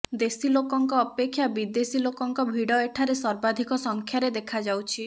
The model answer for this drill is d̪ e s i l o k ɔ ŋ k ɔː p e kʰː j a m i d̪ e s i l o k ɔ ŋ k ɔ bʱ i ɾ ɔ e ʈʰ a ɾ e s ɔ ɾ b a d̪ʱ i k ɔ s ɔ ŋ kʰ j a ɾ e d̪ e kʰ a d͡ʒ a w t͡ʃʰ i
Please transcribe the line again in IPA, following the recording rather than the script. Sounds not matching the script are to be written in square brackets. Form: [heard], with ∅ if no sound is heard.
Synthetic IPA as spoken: d̪ e s i l o k ɔ ŋ k ɔː p e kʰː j a [b] i d̪ e s i l o k ɔ ŋ k ɔ bʱ i [ɽ] ɔ e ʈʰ a ɾ e s ɔ ɾ b a d̪ʱ i k ɔ s ɔ ŋ kʰ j a ɾ e d̪ e kʰ a d͡ʒ a w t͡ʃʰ i